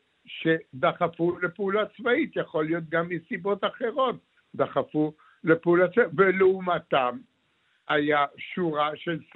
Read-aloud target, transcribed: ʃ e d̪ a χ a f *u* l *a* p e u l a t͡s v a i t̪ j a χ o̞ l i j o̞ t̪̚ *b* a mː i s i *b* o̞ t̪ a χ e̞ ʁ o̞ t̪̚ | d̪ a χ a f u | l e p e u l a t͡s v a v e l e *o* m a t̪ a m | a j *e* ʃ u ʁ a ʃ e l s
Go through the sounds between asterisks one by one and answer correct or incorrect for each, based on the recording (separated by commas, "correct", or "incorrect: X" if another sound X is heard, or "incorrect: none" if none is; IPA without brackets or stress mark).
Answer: correct, incorrect: e, incorrect: ɡ, correct, incorrect: u, incorrect: a